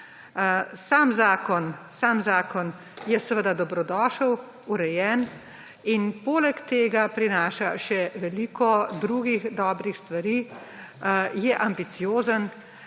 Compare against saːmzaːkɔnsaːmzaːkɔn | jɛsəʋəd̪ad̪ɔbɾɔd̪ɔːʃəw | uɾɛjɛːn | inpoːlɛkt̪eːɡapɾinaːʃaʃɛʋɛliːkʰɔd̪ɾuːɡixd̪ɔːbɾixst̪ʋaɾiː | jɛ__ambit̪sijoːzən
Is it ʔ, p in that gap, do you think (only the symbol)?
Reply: ʔ